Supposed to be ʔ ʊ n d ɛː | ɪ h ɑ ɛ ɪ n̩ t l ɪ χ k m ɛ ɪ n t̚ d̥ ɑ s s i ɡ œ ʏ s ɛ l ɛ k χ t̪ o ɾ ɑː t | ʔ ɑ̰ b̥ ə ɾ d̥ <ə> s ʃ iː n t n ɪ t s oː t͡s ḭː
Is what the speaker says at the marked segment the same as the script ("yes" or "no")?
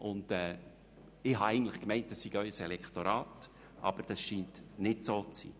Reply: no